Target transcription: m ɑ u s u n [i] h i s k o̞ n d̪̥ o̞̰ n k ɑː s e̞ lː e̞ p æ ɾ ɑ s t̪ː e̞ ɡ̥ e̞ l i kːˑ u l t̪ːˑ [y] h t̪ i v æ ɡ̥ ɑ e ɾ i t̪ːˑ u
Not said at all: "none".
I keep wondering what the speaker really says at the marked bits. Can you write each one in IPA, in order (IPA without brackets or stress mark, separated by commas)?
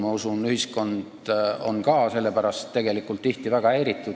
y, i